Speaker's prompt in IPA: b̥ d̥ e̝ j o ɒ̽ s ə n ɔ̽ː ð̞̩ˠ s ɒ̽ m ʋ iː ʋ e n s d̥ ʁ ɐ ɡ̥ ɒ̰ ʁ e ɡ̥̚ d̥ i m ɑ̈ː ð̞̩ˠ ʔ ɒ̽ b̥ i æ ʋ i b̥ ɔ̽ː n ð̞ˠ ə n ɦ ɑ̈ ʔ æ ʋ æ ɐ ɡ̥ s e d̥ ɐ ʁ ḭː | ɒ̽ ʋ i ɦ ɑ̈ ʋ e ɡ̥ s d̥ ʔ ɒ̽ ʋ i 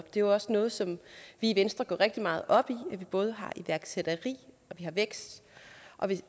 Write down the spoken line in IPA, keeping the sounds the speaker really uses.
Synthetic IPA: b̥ d̥ e̝ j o ɒ̽ s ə n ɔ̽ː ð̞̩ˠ s ɒ̽ m ʋ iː ʋ e n s d̥ ʁ ɐ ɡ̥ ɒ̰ ʁ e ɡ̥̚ d̥ i m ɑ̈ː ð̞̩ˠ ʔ ɒ̽ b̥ i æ ʋ i b̥ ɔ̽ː ð̞ˠ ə ɦ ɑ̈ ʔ i ʋ æ ɐ ɡ̥ s e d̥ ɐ ʁ ḭː | ɒ̽ ʋ i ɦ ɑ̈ ʋ e ɡ̥ s d̥ ʔ ɒ̽ ʋ i